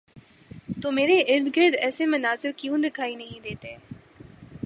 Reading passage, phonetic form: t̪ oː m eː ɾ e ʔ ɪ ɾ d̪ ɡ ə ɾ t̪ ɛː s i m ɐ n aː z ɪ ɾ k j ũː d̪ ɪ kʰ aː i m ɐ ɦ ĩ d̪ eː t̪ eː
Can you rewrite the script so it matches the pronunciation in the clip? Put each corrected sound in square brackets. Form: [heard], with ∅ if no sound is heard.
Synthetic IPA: t̪ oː m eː ɾ e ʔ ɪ ɾ d̪ ɡ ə ɾ [d̪] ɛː s [e] m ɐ n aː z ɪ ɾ k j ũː d̪ ɪ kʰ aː i [n] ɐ ɦ ĩ d̪ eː t̪ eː